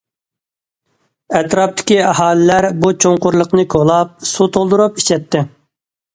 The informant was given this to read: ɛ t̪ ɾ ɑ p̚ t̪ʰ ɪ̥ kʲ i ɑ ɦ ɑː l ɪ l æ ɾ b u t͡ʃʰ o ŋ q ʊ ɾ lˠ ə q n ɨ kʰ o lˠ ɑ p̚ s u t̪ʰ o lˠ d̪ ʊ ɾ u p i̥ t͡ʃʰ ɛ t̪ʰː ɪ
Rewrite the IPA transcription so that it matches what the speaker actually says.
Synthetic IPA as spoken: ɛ t̪ ɾ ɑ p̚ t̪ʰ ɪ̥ kʲ i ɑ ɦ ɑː l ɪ l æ ɾ b u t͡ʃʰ o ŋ q ʊ ɾ lˠ ə q n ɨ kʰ o lˠ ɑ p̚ s u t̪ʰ o lˠ d̪ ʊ ɾ u p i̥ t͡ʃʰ ɛ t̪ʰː ɪ